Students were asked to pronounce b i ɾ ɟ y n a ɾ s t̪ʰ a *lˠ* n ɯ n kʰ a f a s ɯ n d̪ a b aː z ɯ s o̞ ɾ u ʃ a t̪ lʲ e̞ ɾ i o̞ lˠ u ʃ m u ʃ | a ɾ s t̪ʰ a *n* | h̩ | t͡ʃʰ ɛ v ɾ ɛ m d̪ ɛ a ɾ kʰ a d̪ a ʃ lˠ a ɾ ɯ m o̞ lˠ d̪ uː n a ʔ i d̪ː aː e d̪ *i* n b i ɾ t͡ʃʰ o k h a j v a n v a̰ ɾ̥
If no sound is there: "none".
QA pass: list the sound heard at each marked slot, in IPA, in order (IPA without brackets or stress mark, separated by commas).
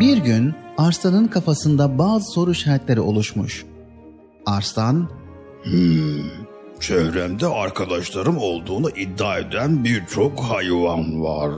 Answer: none, n, æ